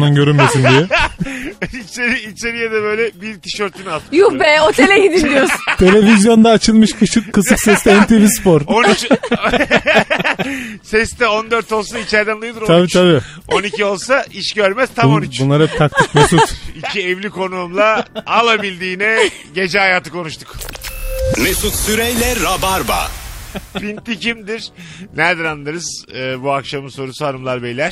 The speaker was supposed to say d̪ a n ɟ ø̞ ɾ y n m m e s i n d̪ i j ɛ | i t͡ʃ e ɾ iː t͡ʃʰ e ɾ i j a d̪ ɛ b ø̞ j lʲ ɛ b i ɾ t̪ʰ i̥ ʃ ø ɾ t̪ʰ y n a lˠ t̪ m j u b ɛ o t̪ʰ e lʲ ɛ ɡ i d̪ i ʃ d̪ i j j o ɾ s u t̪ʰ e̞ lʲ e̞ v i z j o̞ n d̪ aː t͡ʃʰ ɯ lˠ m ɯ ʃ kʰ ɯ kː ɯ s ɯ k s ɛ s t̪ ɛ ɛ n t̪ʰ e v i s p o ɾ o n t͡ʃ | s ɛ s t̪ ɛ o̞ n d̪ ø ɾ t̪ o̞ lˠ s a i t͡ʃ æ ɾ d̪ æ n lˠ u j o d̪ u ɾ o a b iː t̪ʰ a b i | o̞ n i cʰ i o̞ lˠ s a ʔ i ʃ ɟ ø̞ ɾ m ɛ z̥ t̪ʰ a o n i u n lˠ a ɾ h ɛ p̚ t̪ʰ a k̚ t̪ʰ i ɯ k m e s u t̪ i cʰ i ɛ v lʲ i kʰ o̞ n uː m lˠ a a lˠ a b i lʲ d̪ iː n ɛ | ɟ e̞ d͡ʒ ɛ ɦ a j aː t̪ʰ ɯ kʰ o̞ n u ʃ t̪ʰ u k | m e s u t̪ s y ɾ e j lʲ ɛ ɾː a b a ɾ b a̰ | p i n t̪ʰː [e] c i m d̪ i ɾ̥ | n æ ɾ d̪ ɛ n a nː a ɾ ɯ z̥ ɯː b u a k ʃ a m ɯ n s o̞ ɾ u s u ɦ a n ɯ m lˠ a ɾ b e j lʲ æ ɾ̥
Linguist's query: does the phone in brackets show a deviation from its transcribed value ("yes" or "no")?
yes